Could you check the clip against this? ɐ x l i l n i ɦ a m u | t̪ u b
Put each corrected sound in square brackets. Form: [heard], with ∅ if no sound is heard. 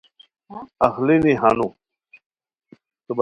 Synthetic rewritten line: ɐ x l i [∅] n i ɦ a [n] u | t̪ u b

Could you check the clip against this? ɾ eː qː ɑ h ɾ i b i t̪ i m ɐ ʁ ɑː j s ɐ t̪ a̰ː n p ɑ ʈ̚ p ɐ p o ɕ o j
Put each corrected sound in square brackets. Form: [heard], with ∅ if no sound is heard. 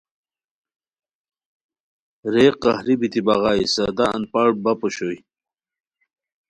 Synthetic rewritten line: ɾ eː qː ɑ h ɾ i b i t̪ i [b] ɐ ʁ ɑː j s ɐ [d̪] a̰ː n p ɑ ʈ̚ [b] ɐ p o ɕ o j

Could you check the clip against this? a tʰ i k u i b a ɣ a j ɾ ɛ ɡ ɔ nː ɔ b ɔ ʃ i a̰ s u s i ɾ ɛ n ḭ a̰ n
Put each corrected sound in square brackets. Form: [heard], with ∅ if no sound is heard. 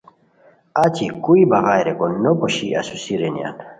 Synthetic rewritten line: a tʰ i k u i b a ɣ a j ɾ ɛ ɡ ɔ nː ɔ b ɔ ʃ i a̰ s u s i ɾ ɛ n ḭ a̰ n

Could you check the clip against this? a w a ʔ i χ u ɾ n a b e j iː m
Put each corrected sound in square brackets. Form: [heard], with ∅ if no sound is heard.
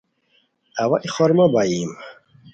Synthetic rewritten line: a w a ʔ i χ [ɔ] ɾ [m] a b [a] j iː m

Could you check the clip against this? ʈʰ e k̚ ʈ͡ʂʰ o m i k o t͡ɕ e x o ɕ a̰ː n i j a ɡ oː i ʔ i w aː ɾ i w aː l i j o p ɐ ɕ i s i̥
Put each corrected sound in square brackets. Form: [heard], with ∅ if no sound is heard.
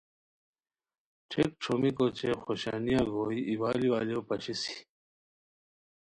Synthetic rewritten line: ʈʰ e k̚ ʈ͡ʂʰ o m i k o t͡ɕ e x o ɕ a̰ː n i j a ɡ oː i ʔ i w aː [l] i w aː l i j o p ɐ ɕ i s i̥

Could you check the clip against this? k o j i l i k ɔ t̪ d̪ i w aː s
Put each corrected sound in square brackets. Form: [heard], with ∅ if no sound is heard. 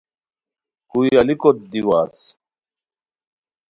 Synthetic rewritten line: k [u] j [a] l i k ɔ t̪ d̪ i w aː s

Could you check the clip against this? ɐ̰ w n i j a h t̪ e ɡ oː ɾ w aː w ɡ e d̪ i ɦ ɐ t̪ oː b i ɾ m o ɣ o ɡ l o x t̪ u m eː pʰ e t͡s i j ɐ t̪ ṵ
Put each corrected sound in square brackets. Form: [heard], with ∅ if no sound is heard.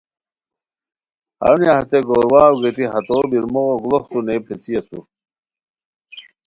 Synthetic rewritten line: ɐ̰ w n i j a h t̪ e ɡ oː ɾ w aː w ɡ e [t̪] i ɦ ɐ t̪ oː b i ɾ m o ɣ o ɡ l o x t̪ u [n] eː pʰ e t͡s i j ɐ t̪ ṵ

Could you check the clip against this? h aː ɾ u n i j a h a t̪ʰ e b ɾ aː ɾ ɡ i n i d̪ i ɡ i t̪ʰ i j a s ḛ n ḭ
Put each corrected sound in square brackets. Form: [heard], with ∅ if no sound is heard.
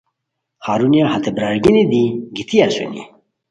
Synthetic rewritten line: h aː ɾ u n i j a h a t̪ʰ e b ɾ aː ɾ ɡ i n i d̪ i ɡ i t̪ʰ i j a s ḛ n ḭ

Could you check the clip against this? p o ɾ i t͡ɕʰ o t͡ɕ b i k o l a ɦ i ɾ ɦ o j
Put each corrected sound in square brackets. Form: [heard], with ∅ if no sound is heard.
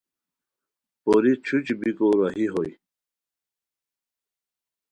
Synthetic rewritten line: p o ɾ i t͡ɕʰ [u] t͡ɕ b i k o [ɾ] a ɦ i [∅] ɦ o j

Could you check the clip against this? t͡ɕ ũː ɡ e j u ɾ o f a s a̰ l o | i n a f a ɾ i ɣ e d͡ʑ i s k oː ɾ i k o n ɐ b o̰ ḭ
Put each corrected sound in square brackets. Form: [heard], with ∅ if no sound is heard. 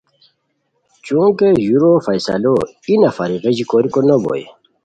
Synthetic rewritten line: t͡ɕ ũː [k] e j u ɾ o f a s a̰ l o | i n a f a ɾ i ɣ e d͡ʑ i [∅] k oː ɾ i k o n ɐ b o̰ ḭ

